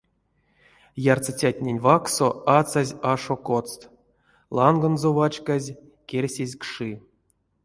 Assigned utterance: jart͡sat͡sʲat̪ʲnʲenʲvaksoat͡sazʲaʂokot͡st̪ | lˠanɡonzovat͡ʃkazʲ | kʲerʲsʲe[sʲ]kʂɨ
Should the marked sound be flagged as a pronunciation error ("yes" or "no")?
yes